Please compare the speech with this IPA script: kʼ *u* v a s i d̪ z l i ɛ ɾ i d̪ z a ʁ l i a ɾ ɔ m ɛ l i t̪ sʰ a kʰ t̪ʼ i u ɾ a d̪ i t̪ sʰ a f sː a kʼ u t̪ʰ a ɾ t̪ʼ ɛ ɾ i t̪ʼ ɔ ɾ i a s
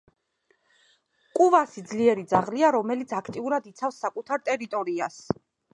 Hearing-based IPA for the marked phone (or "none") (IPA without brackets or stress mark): u